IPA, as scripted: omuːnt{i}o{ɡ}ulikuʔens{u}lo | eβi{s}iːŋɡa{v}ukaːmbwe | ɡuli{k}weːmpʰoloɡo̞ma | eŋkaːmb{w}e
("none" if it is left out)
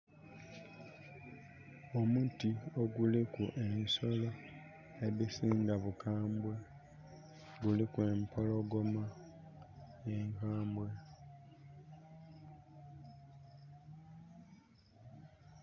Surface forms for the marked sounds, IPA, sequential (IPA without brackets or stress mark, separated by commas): i, ɡ, o, s, β, k, w